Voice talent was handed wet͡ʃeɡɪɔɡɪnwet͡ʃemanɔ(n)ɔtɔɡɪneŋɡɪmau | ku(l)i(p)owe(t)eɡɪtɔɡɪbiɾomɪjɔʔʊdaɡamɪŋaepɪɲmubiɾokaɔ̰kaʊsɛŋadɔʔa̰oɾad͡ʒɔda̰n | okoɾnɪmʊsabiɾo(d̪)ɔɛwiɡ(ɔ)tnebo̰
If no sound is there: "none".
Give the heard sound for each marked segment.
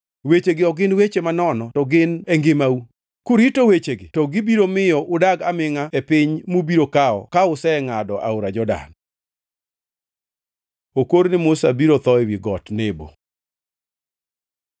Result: n, ɾ, t, t͡ʃ, t̪, ɔ

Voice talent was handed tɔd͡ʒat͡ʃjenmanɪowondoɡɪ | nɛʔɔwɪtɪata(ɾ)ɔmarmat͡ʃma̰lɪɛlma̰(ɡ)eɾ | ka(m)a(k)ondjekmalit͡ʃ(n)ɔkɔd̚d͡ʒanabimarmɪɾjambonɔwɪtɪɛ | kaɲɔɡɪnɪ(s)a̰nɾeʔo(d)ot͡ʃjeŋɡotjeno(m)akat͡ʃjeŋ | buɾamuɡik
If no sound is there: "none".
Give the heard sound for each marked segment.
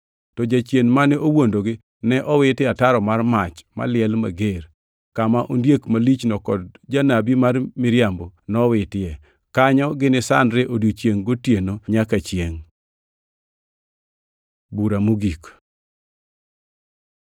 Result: ɾ, ɡ, m, ʔ, n, s, d, ɲ

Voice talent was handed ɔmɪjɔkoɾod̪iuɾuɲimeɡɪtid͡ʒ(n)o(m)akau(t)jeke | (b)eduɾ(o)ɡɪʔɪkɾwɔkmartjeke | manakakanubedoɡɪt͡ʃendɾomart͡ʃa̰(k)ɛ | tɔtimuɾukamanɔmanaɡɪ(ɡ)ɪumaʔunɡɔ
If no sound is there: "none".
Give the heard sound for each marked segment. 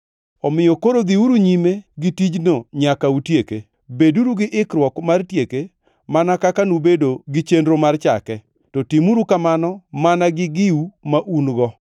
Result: n, ɲ, t, b, u, k, ɡ

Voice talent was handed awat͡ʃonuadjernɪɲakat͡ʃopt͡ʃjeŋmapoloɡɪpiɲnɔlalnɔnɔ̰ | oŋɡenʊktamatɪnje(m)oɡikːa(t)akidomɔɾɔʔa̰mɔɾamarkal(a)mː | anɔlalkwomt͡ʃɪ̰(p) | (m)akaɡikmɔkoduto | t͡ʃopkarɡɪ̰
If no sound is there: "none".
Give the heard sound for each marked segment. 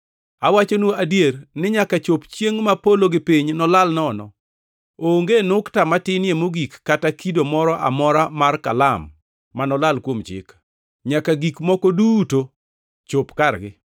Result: m, t, a, k, ɲ

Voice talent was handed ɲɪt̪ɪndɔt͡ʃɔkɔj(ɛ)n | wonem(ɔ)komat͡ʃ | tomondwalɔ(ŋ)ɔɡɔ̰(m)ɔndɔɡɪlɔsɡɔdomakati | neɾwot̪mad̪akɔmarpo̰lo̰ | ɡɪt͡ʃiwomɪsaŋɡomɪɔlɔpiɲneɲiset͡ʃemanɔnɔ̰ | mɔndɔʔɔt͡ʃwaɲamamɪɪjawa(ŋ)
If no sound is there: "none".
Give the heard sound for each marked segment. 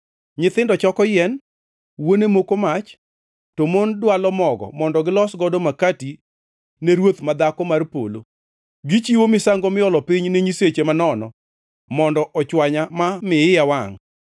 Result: ɛ, o, m, m, ŋ

